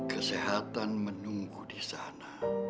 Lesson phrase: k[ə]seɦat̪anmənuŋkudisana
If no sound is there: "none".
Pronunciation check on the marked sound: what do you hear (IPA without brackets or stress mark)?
ə